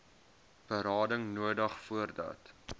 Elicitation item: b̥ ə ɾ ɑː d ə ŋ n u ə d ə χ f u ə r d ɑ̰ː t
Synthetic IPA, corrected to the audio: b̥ ə ɾ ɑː d ə ŋ n u ə d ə χ f u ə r d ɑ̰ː t